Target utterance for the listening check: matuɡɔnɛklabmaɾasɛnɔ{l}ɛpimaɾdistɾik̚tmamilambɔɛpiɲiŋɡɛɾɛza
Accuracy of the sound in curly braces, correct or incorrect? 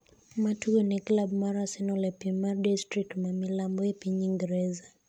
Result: correct